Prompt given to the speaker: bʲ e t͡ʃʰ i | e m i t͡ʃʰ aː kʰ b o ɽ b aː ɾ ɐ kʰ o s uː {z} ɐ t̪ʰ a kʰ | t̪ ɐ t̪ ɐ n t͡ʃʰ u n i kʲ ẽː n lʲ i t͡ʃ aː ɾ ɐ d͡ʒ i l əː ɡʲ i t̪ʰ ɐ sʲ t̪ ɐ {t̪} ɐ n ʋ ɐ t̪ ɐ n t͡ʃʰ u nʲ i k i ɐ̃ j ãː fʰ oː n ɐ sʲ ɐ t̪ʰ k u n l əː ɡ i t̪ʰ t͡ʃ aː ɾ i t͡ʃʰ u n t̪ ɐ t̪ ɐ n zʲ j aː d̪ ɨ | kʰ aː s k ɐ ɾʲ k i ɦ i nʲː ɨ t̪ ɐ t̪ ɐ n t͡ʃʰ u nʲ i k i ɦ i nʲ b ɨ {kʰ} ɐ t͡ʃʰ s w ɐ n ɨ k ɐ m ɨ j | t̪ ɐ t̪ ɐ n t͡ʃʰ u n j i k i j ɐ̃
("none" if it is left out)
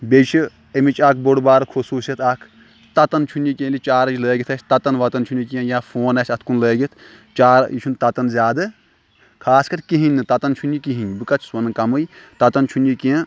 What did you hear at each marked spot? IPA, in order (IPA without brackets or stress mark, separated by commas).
s, t̪, k